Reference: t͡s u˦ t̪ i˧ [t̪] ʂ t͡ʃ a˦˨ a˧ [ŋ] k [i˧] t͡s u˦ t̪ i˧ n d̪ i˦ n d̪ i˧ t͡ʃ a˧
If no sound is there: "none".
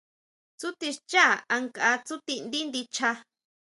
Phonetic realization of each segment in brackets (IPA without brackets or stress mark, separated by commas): none, ŋ, a˧